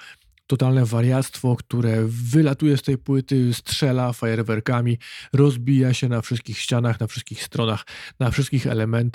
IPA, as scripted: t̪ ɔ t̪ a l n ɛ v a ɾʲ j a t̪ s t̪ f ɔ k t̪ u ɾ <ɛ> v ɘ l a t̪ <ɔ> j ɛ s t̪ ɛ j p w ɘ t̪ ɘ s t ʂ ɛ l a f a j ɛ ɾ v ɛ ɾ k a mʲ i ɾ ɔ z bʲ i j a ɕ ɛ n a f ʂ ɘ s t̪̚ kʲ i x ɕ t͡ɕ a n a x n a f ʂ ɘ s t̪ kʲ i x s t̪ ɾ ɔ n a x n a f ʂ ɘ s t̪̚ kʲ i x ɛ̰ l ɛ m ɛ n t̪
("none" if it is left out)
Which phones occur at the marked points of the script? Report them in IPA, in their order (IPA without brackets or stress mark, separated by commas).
ɛ, u